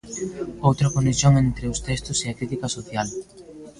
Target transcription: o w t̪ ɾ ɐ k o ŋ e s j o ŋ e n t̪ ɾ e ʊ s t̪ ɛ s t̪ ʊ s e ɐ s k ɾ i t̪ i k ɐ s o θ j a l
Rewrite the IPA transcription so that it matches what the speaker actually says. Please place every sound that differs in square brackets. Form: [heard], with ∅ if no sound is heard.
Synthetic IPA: o w t̪ ɾ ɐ k o [n] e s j o ŋ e n t̪ ɾ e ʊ s t̪ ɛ s t̪ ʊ s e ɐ [∅] k ɾ i t̪ i k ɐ s o θ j a l